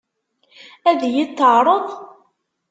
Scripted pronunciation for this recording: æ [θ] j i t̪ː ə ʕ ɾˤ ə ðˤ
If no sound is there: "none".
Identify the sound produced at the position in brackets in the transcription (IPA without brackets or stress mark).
ð